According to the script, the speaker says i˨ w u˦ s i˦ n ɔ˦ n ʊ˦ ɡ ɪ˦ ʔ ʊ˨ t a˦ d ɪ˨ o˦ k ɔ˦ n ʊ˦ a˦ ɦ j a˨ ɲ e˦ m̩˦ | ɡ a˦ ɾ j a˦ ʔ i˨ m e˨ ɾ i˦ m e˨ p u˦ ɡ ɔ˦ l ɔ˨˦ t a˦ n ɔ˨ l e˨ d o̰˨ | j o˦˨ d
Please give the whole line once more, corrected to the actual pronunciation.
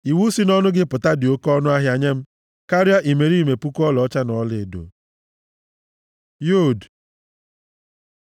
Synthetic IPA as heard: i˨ w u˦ s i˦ n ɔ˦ n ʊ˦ ɡ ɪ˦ p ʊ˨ t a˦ d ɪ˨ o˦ k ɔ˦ n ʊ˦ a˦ ɦ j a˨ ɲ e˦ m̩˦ | k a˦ ɾ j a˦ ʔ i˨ m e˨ ɾ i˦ m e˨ p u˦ k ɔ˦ l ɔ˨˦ t͡ʃ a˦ n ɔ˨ l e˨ d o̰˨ | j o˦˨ d